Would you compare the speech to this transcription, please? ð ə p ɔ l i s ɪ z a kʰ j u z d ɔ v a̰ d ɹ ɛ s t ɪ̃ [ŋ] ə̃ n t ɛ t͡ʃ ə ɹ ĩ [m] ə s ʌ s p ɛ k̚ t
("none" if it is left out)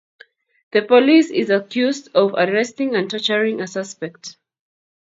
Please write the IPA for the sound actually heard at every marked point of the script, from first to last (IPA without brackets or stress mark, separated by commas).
ŋ, ŋ